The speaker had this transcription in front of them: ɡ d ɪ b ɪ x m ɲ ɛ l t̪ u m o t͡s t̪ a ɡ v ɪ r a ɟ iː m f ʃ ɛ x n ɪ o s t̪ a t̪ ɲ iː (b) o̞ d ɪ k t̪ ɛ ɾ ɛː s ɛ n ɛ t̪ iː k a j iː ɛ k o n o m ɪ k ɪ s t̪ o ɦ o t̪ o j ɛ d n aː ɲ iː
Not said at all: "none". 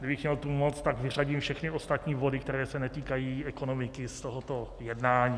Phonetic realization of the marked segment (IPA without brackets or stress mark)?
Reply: v